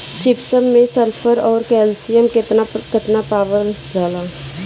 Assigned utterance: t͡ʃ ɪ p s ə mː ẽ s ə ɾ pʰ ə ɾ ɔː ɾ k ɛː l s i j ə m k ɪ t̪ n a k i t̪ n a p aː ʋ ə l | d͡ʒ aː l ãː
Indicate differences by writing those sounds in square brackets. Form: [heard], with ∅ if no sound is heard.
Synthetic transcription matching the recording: t͡ʃ ɪ p s ə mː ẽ s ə ɾ pʰ ə ɾ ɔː ɾ k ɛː l s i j ə m k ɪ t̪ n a k [ɪ] t̪ n a p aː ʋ ə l | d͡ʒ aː l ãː